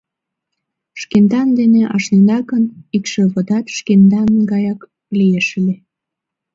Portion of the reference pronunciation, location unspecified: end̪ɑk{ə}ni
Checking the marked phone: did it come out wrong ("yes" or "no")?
no